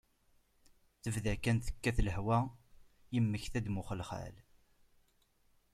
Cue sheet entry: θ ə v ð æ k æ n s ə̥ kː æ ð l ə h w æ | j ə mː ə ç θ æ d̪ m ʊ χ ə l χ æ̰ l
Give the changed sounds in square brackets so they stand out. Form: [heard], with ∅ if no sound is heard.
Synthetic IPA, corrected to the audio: θ ə v ð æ k æ n [θ] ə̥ kː æ [θ] l ə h w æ | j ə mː ə ç θ æ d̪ m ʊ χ ə l χ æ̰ l